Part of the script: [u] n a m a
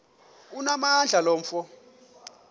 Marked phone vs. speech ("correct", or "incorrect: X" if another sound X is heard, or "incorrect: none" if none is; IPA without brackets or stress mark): correct